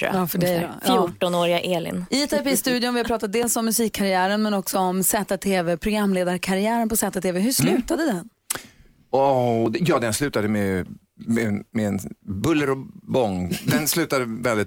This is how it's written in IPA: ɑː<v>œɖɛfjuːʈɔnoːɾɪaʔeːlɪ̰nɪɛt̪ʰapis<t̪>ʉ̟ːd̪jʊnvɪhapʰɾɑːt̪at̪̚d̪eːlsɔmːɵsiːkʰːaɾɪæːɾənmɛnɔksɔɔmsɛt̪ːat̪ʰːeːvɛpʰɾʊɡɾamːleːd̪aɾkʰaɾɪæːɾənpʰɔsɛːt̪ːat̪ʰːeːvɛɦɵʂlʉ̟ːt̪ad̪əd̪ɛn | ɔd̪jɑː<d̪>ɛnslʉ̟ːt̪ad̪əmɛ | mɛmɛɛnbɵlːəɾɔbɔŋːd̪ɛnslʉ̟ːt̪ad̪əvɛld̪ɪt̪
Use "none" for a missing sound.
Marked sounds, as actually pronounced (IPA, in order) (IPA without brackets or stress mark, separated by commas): f, t̪, d̪